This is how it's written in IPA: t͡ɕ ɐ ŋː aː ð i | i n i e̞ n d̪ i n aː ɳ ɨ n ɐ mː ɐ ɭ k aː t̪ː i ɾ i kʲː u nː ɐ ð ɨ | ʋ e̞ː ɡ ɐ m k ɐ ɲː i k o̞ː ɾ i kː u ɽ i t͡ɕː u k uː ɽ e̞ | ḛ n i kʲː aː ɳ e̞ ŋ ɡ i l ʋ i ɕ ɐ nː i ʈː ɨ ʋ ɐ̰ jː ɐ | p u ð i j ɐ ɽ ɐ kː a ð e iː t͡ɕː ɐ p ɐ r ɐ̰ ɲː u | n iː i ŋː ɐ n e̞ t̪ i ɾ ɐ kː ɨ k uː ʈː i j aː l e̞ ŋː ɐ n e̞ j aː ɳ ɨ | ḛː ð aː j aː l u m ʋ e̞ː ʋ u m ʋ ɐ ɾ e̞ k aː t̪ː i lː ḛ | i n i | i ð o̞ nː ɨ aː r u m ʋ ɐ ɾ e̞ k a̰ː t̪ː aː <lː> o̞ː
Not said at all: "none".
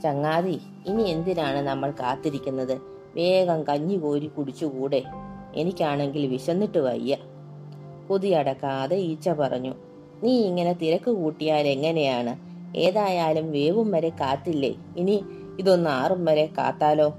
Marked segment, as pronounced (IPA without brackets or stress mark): l